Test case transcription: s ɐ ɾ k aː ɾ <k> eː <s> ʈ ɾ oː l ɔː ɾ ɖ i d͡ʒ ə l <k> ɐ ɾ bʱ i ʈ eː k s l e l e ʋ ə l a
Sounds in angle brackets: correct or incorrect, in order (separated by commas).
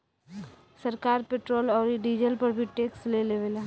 incorrect, incorrect, incorrect